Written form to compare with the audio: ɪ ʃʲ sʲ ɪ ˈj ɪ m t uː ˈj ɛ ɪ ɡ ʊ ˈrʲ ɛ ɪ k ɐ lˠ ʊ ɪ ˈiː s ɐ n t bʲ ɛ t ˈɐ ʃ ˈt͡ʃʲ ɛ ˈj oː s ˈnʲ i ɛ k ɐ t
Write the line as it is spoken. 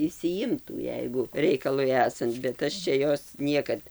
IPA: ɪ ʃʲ sʲ ɪ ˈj ɪ m t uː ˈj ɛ ɪ ɡ ʊ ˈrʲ ɛ ɪ k ɐ lˠ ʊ ɪ ˈæː s ɐ n t bʲ ɛ t ˈɐ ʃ ˈt͡ʃʲ ɛ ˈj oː s ˈnʲ i ɛ k ɐ t